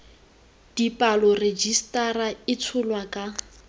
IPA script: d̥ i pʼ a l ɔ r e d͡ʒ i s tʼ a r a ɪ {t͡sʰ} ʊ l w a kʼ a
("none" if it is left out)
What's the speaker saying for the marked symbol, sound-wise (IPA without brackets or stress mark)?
t͡sʰ